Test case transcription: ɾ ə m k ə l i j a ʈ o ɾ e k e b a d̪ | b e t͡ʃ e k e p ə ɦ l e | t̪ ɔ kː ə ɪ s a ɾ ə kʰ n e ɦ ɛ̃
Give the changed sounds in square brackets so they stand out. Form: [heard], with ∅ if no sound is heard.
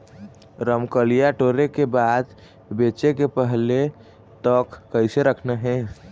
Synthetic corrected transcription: ɾ ə m k ə l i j a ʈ o ɾ e k e b a d̪ | b e t͡ʃ e k e p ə ɦ l e | t̪ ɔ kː ə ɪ s [e] ɾ ə kʰ n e ɦ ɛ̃